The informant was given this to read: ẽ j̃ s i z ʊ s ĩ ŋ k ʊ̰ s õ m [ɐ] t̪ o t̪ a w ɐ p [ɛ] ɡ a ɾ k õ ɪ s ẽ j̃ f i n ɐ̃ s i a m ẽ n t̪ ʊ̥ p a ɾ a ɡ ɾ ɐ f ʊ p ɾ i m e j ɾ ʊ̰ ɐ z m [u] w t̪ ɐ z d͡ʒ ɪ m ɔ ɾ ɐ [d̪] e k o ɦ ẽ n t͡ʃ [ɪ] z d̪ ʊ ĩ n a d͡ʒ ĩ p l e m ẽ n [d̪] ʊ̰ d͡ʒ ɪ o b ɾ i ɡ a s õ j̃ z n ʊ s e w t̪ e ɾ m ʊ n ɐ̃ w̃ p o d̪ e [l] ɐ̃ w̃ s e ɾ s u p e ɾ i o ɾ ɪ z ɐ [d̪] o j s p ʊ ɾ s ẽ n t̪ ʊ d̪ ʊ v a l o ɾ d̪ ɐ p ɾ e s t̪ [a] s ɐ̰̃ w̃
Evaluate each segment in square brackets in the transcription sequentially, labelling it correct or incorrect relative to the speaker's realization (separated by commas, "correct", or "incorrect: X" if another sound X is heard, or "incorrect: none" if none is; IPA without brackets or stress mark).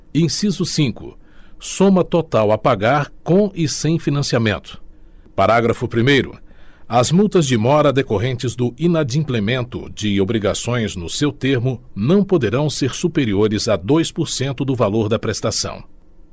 correct, incorrect: a, correct, correct, correct, incorrect: t̪, incorrect: ɾ, correct, correct